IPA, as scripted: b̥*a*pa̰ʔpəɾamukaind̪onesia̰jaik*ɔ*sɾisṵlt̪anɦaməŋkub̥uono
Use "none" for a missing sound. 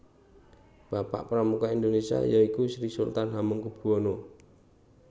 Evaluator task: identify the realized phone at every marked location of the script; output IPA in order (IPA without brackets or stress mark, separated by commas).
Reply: a, u